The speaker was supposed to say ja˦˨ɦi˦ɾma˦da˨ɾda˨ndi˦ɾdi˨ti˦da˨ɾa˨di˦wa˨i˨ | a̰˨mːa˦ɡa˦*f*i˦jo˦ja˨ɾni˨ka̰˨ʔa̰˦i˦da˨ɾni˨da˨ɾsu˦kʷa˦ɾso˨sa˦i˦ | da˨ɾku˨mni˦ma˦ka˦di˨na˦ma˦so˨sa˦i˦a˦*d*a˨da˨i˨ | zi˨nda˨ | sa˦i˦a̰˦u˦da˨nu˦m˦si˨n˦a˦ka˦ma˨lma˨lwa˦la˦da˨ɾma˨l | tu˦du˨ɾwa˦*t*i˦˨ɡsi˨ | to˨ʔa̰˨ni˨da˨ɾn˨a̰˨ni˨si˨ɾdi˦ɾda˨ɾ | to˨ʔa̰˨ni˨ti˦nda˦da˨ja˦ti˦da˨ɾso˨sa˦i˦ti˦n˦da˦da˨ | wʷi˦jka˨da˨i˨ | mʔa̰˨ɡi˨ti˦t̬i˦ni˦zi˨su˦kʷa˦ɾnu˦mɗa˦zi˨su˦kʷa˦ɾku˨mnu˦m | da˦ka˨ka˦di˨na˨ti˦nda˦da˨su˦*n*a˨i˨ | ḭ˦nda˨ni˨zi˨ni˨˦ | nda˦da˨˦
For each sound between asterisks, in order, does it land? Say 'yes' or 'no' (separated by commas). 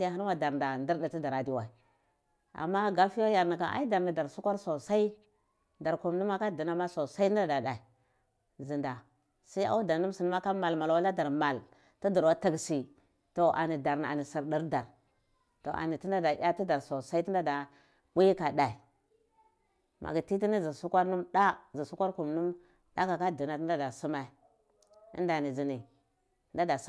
yes, yes, yes, no